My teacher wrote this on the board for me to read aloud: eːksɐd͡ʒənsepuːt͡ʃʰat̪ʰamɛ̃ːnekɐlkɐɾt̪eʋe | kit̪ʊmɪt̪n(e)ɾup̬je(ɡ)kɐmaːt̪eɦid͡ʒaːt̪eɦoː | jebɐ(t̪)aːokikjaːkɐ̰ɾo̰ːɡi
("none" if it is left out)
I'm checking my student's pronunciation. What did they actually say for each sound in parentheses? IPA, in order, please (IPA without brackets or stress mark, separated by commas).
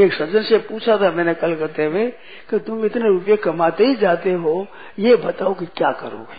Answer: e, none, t̪